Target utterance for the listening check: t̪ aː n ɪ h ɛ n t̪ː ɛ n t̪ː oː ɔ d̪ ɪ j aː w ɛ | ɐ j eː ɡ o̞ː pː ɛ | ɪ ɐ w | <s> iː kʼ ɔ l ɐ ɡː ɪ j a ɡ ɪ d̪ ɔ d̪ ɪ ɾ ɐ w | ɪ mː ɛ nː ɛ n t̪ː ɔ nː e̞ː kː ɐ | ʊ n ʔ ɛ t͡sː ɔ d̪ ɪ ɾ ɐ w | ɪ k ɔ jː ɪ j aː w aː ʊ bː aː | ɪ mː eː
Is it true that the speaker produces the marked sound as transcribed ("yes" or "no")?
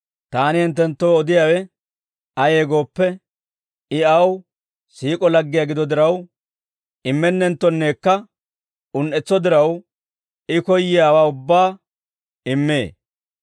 yes